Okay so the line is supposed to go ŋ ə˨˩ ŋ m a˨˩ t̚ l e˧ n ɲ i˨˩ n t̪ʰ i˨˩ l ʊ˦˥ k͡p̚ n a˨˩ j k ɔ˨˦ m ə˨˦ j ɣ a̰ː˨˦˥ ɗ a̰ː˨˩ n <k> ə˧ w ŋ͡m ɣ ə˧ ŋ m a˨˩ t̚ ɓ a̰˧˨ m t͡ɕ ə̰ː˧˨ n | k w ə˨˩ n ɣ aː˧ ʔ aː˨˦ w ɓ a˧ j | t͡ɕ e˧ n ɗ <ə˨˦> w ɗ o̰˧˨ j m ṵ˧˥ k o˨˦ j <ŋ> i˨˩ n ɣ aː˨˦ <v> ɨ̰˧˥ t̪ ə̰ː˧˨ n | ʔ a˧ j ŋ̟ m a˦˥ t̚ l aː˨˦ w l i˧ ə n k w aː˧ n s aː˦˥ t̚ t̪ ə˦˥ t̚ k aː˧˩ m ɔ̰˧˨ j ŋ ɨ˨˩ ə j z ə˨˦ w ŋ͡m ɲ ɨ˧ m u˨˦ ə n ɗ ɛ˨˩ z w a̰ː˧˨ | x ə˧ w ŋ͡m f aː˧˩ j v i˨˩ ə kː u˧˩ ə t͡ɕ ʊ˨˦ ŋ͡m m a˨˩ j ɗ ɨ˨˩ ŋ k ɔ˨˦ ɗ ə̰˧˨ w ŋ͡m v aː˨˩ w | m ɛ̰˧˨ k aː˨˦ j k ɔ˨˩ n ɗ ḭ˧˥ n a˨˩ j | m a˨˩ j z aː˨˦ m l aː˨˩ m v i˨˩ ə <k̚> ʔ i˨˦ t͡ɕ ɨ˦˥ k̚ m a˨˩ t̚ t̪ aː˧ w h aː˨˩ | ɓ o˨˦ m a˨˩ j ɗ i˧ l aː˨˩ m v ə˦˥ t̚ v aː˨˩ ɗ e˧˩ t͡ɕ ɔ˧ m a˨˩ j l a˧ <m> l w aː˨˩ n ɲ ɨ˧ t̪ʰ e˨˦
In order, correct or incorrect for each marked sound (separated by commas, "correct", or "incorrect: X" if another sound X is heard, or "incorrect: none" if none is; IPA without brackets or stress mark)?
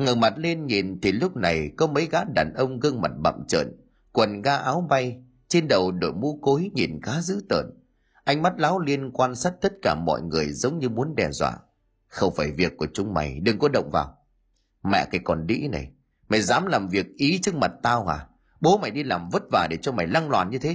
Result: incorrect: ʔ, incorrect: ə˨˩, incorrect: ɲ, incorrect: z, correct, incorrect: ŋ